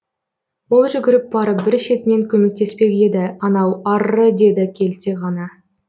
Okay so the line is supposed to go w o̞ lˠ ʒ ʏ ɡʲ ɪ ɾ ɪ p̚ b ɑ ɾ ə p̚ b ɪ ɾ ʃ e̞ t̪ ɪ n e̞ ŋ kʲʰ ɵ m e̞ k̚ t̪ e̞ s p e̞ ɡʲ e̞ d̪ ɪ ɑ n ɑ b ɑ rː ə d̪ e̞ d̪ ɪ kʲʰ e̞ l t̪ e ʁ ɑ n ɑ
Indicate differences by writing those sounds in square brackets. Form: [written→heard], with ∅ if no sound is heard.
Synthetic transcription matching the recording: w o̞ lˠ ʒ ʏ ɡʲ ɪ ɾ ɪ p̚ b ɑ ɾ ə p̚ b ɪ ɾ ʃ e̞ t̪ ɪ n e̞ ŋ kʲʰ ɵ m e̞ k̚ t̪ e̞ s p e̞ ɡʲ e̞ d̪ ɪ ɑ n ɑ [b→w] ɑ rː ə d̪ e̞ d̪ ɪ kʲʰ e̞ l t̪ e ʁ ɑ n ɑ